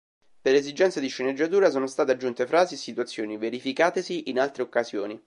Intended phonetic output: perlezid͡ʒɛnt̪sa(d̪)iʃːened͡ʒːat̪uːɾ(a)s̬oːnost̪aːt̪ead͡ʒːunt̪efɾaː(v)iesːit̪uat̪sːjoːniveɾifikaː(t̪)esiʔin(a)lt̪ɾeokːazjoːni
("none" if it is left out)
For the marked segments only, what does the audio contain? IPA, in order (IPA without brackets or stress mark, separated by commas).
d̪, a, z, t̪, a